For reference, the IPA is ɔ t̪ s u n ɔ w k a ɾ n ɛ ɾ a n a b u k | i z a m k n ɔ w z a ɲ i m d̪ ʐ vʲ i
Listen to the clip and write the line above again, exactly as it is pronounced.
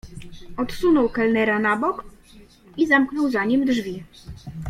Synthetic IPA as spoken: ɔ t̪ s u n ɔ w k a l n ɛ ɾ a n a b ɔ k | i z a m k n ɔ w z a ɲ i m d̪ ʐ vʲ i